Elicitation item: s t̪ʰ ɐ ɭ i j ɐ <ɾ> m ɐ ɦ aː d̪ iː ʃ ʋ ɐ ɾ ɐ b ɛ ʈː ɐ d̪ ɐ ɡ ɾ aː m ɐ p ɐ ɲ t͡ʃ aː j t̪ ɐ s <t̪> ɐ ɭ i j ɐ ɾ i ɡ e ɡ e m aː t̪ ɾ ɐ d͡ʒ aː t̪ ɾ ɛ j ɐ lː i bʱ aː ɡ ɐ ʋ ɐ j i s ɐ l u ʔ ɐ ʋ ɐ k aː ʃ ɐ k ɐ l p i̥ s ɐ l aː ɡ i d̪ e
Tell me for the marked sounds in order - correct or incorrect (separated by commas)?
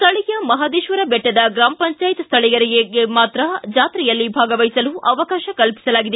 incorrect, incorrect